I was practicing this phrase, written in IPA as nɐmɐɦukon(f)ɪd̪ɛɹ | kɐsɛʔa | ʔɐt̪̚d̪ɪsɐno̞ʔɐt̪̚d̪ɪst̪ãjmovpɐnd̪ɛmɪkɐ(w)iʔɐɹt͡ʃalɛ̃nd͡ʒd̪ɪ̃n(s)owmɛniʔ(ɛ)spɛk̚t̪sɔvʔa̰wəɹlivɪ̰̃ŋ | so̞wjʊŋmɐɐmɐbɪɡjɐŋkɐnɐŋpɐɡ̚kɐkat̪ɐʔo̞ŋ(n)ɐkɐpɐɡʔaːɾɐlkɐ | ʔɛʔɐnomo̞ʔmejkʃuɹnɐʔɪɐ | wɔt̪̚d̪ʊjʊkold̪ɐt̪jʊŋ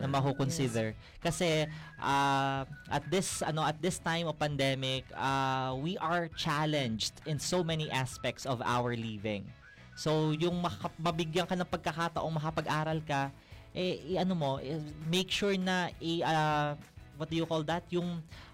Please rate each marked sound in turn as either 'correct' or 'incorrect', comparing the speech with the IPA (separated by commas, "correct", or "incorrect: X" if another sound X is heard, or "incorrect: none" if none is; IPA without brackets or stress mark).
incorrect: s, correct, correct, incorrect: a, incorrect: m